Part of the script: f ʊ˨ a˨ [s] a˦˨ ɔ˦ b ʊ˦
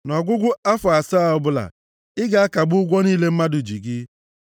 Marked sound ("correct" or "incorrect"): correct